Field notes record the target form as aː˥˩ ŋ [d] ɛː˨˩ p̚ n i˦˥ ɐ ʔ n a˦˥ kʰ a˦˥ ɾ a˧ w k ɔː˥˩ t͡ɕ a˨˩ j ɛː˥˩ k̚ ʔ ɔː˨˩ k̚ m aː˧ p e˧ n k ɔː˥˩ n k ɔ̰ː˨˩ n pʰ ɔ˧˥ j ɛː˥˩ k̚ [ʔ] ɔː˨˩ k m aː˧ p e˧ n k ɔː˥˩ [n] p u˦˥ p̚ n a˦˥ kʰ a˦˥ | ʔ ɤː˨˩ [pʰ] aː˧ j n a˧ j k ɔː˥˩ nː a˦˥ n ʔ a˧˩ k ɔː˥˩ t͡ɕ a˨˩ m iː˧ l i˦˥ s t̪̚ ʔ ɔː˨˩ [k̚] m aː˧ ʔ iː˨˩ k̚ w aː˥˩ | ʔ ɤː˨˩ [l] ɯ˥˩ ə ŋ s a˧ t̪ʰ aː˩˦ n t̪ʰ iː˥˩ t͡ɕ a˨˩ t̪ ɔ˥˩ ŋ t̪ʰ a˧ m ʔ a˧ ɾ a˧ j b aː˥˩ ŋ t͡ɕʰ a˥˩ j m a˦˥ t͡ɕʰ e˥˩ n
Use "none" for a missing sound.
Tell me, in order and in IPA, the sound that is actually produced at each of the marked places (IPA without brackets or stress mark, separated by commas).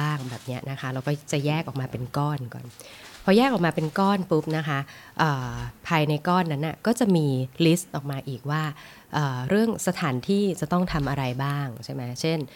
b, ʔ, n, pʰ, k̚, ɾ